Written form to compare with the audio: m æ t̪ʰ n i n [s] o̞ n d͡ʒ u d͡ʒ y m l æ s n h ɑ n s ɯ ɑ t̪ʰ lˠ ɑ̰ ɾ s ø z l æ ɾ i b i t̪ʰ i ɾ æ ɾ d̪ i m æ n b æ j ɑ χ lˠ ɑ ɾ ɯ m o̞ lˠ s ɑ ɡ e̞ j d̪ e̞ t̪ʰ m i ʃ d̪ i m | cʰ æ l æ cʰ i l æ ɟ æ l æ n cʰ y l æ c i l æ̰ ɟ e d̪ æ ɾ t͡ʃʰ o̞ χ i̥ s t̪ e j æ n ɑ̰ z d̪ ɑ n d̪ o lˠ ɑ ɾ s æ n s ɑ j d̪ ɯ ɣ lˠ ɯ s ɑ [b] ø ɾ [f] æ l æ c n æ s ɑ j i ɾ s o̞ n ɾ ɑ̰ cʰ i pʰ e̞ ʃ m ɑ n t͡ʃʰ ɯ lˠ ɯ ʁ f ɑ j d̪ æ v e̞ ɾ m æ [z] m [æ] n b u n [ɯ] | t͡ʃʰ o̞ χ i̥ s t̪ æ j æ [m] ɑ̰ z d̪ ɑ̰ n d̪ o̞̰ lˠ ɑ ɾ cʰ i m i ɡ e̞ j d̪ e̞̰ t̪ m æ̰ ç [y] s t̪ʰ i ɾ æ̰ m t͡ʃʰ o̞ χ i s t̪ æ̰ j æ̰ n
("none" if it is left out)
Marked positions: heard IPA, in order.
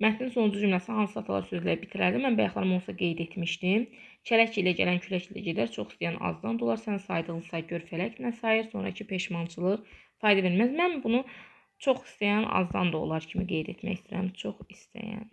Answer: s, ɟ, f, z, æ, u, n, i

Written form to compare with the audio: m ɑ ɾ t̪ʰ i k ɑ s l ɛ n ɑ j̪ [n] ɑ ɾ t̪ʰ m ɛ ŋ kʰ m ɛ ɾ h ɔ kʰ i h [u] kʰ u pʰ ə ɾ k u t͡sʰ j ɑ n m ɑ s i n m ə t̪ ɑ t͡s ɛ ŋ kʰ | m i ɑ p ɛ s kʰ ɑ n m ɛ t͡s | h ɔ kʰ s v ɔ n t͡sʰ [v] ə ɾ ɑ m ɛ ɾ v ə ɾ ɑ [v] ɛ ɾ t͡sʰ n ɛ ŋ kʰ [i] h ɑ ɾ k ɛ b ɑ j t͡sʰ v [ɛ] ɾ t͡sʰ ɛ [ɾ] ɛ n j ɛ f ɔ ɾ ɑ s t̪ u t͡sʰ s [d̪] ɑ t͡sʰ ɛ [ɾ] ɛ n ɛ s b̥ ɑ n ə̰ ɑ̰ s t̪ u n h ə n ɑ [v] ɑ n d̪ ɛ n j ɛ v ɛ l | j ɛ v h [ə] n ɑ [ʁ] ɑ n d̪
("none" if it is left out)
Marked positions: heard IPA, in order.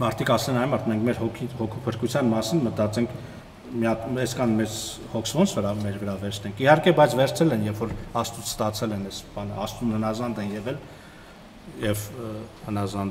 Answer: m, ɔ, v, v, i, ɛ, l, t̪, l, z, ə, z

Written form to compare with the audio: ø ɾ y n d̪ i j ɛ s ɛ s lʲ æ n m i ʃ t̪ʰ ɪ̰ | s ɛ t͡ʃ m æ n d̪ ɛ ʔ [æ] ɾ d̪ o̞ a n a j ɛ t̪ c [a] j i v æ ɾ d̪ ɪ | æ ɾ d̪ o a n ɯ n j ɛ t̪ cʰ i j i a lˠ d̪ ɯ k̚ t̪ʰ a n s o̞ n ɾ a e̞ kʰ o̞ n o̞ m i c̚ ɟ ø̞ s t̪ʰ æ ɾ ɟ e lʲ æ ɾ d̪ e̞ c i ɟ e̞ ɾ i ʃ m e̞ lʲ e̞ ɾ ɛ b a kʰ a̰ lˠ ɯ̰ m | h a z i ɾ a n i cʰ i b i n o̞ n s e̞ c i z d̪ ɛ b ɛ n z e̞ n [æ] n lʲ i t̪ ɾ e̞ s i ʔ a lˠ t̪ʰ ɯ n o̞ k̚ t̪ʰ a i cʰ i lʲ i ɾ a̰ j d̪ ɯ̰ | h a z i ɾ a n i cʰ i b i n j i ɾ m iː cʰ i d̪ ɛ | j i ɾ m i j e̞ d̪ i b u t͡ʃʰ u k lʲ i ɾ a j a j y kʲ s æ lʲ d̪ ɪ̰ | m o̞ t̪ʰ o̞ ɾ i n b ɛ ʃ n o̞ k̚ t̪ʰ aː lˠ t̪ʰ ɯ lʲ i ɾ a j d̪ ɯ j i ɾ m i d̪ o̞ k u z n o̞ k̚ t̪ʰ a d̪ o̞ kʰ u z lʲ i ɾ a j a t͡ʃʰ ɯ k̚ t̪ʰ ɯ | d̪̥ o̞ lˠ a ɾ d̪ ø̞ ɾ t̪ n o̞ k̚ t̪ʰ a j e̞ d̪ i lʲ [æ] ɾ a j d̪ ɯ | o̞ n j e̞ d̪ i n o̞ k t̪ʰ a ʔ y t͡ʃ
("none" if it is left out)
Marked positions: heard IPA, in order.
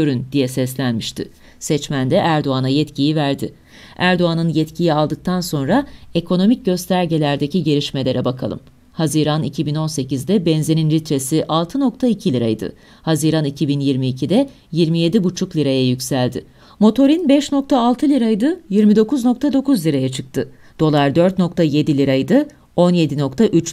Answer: æ, i, i, i

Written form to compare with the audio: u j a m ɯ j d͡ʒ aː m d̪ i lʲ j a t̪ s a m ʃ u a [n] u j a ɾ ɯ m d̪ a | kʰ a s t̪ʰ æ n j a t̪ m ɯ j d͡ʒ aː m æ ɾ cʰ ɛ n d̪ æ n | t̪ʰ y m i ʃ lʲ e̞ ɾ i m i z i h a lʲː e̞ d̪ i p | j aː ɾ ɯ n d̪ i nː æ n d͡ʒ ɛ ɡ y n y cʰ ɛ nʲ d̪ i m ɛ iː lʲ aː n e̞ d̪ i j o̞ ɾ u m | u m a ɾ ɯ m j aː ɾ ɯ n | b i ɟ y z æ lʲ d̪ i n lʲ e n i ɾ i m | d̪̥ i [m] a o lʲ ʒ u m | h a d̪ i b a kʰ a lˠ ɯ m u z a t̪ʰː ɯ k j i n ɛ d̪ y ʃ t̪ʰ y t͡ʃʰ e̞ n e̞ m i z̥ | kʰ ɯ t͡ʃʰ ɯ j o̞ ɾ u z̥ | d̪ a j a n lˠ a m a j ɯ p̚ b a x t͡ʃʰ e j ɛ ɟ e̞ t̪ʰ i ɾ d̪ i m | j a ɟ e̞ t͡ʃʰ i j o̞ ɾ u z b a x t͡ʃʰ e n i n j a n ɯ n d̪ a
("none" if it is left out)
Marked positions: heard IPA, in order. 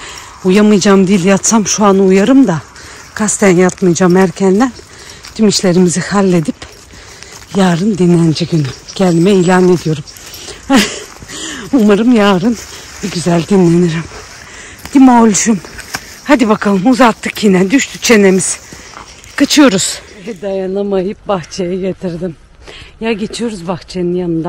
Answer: n, m

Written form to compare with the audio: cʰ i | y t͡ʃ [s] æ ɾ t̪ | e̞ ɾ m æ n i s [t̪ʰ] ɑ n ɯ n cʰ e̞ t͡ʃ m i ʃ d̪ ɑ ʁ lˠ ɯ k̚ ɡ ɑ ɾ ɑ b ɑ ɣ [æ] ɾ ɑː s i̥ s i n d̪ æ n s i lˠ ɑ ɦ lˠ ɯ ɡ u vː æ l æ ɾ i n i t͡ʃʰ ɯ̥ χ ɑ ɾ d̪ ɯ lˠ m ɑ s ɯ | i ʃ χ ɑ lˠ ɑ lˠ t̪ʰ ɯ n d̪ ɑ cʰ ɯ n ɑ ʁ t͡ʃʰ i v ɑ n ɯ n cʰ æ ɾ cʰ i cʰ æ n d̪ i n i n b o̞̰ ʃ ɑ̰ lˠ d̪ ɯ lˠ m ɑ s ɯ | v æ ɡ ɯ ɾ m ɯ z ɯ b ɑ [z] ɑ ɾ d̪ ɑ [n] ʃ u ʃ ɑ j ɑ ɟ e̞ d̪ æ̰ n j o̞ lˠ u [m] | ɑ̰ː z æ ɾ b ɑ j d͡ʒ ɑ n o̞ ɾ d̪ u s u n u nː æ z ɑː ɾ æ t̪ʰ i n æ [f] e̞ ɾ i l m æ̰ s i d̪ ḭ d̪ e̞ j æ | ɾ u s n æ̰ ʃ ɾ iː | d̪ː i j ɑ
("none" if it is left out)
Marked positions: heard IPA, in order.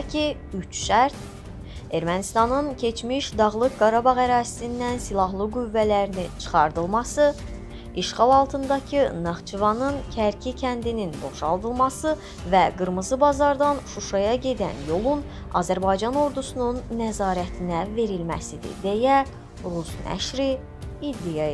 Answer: ʃ, t̪, æ, z, n, n, v

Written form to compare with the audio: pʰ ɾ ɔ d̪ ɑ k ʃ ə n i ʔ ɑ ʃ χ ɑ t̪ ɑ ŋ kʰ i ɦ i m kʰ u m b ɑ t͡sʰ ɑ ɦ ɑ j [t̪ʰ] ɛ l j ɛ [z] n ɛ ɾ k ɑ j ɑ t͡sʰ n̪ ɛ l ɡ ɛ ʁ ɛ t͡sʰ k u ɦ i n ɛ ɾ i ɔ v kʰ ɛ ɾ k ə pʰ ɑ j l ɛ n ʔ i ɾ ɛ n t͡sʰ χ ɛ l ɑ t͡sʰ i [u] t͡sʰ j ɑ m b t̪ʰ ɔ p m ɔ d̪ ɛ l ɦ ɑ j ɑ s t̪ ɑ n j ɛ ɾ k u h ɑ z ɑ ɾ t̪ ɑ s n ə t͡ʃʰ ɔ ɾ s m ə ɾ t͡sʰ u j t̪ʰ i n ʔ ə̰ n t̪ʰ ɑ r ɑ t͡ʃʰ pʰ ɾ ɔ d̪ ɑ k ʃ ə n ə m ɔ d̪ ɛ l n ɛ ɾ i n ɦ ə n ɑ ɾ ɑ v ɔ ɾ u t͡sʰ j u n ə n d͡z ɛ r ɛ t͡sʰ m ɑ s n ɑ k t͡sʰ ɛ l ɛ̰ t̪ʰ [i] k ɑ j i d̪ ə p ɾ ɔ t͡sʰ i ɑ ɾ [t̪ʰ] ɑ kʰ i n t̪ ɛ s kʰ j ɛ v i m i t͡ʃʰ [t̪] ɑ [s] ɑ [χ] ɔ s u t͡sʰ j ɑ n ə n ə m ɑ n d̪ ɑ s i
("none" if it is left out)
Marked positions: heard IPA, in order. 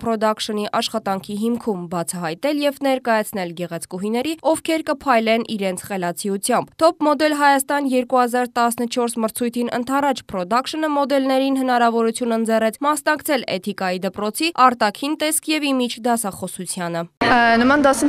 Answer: t̪, v, u, i, t̪, d̪, s, χ

